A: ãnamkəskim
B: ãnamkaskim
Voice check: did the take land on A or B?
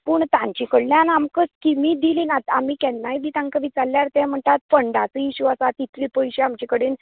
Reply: A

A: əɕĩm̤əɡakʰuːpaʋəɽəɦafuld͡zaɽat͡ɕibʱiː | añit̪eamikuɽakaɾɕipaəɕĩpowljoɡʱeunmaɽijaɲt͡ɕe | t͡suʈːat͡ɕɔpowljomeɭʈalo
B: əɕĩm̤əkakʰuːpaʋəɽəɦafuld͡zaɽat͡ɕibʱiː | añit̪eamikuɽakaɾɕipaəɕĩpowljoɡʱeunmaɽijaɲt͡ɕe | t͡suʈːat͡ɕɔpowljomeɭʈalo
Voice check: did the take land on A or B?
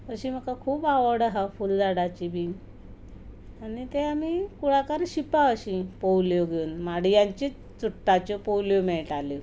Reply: B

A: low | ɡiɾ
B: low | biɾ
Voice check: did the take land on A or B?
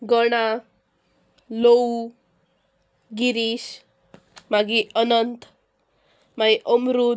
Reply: A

